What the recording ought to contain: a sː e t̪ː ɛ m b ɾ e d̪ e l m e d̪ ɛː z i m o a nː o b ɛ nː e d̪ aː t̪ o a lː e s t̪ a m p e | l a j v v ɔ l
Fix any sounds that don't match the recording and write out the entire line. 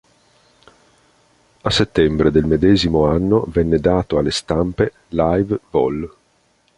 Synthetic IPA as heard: a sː e t̪ː ɛ m b ɾ e d̪ e l m e d̪ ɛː z i m o a nː o v ɛ nː e d̪ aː t̪ o a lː e s t̪ a m p e | l a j v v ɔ l